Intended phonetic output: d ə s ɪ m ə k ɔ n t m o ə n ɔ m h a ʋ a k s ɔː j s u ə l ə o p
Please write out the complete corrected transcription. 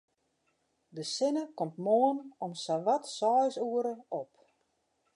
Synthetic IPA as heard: d ə s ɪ n ə k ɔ m t m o ə n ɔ m s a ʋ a t s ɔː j s u ə ɾ ə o p

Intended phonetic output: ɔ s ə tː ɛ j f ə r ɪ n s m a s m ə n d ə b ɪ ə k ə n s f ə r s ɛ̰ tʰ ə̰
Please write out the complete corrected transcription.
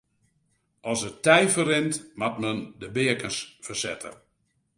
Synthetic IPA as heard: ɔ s ə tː ɛ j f ə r ɪ n t m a t m ə n d ə b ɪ ə k ə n s f ə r s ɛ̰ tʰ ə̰

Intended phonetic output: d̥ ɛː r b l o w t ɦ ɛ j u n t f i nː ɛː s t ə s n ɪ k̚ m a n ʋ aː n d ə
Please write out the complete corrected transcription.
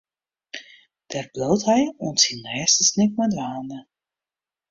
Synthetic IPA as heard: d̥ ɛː r b l o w t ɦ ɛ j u n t s i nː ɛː s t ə s n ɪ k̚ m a d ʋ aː n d ə

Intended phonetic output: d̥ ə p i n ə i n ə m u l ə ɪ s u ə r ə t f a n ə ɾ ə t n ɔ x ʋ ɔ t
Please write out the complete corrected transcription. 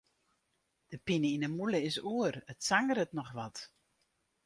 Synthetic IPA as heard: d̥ ə p i n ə i n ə m u l ə ɪ s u ə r ə t s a ŋ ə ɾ ə t n ɔ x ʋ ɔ t

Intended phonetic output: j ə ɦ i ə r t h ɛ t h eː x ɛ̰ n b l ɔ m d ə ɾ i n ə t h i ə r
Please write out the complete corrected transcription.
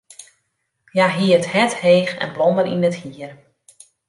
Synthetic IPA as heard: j a ɦ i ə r t h ɛ t h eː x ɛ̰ n b l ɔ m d ə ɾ i n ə t h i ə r

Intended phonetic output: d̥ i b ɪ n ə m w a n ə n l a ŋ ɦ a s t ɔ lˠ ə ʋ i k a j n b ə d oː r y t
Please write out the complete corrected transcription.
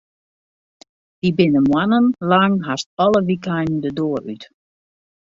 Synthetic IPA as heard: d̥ i b ɪ n ə m w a n ə n l a ŋ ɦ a s t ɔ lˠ ə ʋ i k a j n d ə d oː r y t

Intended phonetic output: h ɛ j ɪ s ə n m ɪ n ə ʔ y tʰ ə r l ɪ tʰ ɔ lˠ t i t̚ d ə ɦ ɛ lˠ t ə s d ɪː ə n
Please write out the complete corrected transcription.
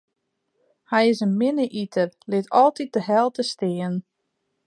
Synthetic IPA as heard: h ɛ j ɪ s ə n m ɪ n ə ʔ i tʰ ə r l ɪ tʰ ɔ lˠ t i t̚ d ə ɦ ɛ lˠ t ə s t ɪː ə n

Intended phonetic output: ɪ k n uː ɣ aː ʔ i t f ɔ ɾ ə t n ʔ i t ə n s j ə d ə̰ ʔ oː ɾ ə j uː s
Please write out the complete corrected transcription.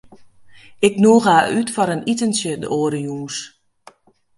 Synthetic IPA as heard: ɪ k n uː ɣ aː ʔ y t f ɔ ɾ ə n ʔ i t ə n s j ə d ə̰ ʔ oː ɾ ə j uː s

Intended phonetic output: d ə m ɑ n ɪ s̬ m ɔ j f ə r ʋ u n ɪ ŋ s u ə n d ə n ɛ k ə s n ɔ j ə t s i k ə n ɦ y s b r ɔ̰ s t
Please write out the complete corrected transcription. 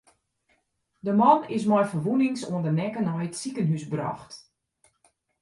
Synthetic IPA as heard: d ə m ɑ n ɪ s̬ m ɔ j f ə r ʋ u n ɪ ŋ s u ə n d ə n ɛ k ə n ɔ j ə t s i k ə n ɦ y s b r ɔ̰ x t

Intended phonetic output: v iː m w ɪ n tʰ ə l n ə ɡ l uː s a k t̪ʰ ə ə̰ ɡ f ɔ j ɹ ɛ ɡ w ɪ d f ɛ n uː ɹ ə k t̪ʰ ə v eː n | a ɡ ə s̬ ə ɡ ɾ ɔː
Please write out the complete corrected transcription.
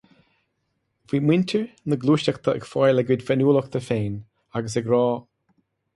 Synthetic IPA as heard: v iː m w ɪ n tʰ ə ɹ n ə ɡ l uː ʃ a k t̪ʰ ə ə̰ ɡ f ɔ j l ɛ ɡ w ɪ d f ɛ n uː l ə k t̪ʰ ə f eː n | a ɡ ə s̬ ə ɡ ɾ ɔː

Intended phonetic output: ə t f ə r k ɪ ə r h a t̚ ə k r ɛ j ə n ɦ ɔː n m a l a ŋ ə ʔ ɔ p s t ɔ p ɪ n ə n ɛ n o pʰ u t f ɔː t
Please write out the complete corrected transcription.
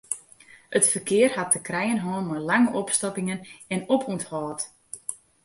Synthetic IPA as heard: ə t f ə r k ɪ ə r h a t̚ ə k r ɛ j ə n ɦ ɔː n m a l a ŋ ə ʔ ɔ p s t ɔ p ɪ ŋ ə n ɛ n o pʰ u t h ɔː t

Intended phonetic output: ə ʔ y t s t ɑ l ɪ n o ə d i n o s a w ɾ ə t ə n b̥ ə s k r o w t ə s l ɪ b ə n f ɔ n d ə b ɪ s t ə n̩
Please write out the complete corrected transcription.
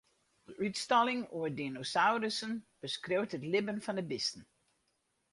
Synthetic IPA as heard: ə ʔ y t s t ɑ l ɪ ŋ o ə d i n o s a w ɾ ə s ə n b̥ ə s k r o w t ə t l ɪ b ə n f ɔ n d ə b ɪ s t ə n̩

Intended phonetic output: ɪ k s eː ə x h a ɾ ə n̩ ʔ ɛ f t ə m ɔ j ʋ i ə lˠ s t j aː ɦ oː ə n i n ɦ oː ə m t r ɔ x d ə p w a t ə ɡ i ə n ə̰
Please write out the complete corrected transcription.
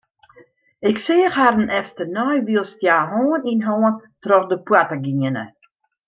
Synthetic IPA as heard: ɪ k s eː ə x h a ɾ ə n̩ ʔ ɛ f t ə n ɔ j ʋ i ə lˠ s t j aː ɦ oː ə n i n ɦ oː ə n t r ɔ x d ə p w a t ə ɡ i ə n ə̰

